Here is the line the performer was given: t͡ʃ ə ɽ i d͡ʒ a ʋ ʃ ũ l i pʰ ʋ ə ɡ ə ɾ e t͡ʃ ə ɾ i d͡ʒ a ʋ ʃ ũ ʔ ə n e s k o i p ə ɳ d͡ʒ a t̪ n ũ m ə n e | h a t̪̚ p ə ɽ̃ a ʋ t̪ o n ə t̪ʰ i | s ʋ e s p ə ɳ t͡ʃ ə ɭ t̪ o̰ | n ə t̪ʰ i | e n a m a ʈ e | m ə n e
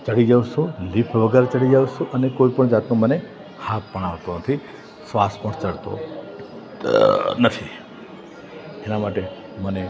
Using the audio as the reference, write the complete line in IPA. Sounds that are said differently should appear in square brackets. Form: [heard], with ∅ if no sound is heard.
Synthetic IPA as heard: t͡ʃ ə ɽ i d͡ʒ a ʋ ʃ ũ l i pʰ ʋ ə ɡ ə ɾ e t͡ʃ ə [ɽ] i d͡ʒ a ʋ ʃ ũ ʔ ə n e [∅] k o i p ə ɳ d͡ʒ a t̪ n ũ m ə n e | h a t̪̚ p ə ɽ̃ a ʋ t̪ o n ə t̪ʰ i | s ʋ [a] s p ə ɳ t͡ʃ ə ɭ t̪ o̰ | n ə t̪ʰ i | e n a m a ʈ e | m ə n e

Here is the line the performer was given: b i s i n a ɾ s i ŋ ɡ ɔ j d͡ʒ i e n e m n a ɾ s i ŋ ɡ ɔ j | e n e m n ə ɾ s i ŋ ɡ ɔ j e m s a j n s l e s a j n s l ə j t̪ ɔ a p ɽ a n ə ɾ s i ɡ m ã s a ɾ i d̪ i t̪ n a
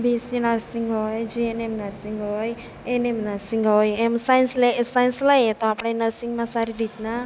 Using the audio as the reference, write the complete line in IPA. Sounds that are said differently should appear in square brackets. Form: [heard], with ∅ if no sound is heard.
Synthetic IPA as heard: b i s i n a ɾ s i ŋ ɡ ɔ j d͡ʒ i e n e m n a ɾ s i ŋ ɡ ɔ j | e n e m n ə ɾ s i ŋ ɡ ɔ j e m s a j n s l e s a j n s l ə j t̪ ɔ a p ɽ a n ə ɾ s i [ŋ] m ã s a ɾ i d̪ i t̪ n a

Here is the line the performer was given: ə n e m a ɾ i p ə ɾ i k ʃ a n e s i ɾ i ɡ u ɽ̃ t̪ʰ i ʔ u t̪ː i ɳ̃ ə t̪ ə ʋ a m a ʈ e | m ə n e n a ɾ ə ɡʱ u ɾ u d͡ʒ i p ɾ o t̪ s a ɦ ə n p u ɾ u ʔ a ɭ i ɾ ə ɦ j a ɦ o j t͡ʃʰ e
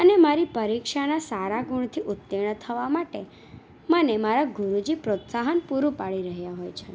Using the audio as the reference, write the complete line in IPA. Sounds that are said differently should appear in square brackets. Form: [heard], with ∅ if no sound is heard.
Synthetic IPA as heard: ə n e m a ɾ i p ə ɾ i k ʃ a n [a] s [a] ɾ [a] ɡ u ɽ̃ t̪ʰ i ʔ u t̪ː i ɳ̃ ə [t̪ʰ] ə ʋ a m a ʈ e | m ə n e [m] a ɾ [a] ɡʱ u ɾ u d͡ʒ i p ɾ o t̪ s a ɦ ə n p u ɾ u [p] a ɭ i ɾ ə ɦ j a ɦ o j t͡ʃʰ e

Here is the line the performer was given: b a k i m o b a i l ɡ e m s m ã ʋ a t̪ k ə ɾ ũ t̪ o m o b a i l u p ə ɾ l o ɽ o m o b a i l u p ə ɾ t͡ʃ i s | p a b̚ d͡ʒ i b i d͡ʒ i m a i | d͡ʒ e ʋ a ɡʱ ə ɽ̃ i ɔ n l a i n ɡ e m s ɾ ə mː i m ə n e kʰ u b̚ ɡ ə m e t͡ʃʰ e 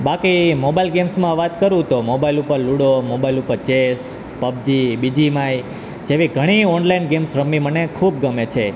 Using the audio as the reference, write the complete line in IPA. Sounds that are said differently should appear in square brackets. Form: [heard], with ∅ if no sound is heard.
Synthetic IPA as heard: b a k i m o b a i l ɡ e m s m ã ʋ a t̪ k ə ɾ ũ t̪ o m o b a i l u p ə ɾ l [u] ɽ o m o b a i l u p ə ɾ t͡ʃ [e] s | p [ə] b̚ d͡ʒ i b i d͡ʒ i m a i | d͡ʒ e ʋ [i] ɡʱ ə ɽ̃ i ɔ n l a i n ɡ e m s ɾ ə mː i m ə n e kʰ u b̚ ɡ ə m e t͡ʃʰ e

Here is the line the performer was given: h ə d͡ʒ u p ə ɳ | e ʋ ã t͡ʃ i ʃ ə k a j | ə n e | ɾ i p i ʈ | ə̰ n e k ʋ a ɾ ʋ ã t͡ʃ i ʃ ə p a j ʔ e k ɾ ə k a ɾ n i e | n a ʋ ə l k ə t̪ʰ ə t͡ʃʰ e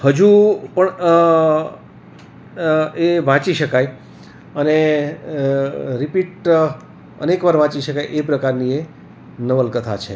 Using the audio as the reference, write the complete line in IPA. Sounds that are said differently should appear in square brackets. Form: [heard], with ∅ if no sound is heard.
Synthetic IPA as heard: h ə d͡ʒ u p ə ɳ | e ʋ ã t͡ʃ i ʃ ə k a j | ə n e | ɾ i p i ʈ | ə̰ n e k ʋ a ɾ ʋ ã t͡ʃ i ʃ ə [k] a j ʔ e [p] ɾ ə k a ɾ n i e | n [ə] ʋ ə l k ə t̪ʰ [a] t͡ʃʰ e

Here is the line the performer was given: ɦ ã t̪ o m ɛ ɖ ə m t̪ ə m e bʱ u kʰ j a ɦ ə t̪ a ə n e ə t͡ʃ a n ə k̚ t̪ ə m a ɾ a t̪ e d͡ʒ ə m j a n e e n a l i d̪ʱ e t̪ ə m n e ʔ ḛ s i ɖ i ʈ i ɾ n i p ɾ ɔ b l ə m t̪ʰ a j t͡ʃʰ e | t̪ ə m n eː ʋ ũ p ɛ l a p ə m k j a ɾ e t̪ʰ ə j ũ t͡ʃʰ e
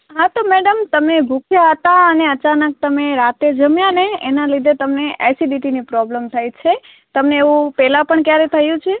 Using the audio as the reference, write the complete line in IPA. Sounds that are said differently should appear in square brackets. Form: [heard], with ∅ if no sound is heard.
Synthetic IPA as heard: ɦ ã t̪ o m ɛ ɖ ə m t̪ ə m e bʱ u kʰ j a ɦ ə t̪ a ə n e ə t͡ʃ a n ə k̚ t̪ ə m [e] ɾ a t̪ e d͡ʒ ə m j a n e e n a l i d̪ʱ e t̪ ə m n e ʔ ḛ s i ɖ i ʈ i [∅] n i p ɾ ɔ b l ə m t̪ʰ a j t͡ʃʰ e | t̪ ə m n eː ʋ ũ p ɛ l a p ə [ɳ] k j a ɾ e t̪ʰ ə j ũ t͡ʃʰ e

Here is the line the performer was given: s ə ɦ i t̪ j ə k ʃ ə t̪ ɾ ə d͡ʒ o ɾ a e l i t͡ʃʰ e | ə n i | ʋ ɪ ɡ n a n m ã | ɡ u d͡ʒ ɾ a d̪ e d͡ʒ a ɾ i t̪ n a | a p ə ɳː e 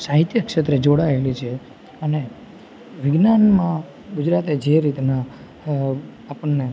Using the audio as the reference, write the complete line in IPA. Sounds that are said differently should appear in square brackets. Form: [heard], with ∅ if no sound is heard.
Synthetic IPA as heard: s [a] ɦ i t̪ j ə k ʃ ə t̪ ɾ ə d͡ʒ o [ɽ] a e l i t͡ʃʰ e | ə n [e] | ʋ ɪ ɡ n a n m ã | ɡ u d͡ʒ ɾ a [t̪] e d͡ʒ [e] ɾ i t̪ n a | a p ə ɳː e

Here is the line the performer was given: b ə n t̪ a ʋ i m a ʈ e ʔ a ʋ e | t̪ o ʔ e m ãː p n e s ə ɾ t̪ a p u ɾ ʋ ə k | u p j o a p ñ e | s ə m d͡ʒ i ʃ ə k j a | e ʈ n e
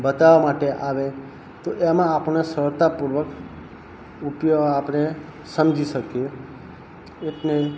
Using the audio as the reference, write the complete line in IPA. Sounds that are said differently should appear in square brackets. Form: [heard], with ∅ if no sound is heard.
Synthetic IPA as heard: b ə [∅] t̪ a ʋ [a] m a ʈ e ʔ a ʋ e | t̪ o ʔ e m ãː p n e s ə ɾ t̪ a p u ɾ ʋ ə k | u p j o a p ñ e | s ə m d͡ʒ i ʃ ə k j [e] | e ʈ n e

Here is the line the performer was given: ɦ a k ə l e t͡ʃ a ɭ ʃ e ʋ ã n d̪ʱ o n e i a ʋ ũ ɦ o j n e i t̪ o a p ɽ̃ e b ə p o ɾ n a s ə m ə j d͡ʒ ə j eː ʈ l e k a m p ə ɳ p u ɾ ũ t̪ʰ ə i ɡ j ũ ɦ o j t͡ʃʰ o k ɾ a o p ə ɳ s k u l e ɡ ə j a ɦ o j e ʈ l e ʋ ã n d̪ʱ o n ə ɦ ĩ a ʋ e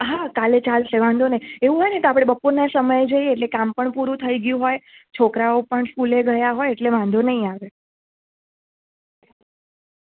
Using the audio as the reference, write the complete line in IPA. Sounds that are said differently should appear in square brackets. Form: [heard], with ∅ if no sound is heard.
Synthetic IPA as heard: ɦ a k [a] l e t͡ʃ a [l] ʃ e ʋ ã n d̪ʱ o n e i [e] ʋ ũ ɦ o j n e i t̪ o a p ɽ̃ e b ə p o ɾ n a s ə m ə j d͡ʒ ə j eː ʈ l e k a m p ə ɳ p u ɾ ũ t̪ʰ ə i ɡ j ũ ɦ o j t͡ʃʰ o k ɾ a o p ə ɳ s k u l e ɡ ə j a ɦ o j e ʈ l e ʋ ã n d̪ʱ o n ə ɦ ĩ a ʋ e

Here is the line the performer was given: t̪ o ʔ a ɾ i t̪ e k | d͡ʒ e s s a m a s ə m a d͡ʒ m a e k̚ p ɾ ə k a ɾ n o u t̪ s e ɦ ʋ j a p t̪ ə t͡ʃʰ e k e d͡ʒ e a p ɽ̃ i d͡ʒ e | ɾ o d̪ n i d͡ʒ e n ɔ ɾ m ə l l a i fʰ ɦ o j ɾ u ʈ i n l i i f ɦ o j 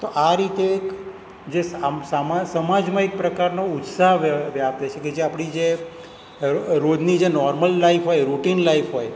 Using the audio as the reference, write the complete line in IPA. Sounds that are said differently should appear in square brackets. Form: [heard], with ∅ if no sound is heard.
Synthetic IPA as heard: t̪ o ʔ a ɾ i t̪ e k | d͡ʒ e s s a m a s ə m a d͡ʒ m a e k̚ p ɾ ə k a ɾ n o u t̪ s [a] ɦ ʋ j a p t̪ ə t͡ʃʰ e k e d͡ʒ e a p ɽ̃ i d͡ʒ e | ɾ o d̪ n i d͡ʒ e n ɔ ɾ m ə l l a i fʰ ɦ o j ɾ u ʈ i n l [a] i f ɦ o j

